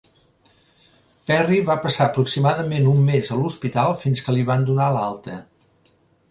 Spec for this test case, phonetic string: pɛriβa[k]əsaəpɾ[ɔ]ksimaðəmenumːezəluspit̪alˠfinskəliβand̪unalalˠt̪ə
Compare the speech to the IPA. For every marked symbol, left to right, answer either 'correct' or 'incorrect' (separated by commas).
incorrect, incorrect